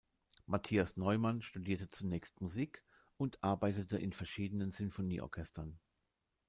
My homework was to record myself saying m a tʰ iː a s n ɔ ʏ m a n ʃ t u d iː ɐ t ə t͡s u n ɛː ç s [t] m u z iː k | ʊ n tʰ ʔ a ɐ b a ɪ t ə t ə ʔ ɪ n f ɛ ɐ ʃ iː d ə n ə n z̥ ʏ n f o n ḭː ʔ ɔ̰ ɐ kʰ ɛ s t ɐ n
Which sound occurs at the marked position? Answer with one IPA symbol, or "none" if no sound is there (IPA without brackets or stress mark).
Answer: t